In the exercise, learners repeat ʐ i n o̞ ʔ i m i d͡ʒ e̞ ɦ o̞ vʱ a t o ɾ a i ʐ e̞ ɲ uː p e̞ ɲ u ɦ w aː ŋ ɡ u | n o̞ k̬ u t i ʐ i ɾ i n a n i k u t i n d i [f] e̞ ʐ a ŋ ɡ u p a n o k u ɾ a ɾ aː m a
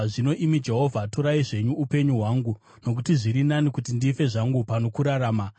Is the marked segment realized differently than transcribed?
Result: no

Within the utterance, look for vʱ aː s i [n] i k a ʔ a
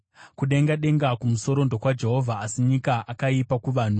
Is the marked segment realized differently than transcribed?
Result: yes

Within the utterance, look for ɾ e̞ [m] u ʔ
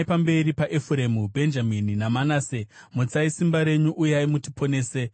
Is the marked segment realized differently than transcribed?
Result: yes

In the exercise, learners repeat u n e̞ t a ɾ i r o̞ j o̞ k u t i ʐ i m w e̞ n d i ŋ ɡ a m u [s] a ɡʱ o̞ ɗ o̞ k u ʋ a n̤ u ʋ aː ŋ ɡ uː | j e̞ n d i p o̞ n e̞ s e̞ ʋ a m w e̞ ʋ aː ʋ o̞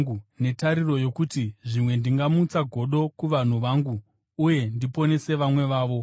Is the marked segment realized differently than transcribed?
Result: yes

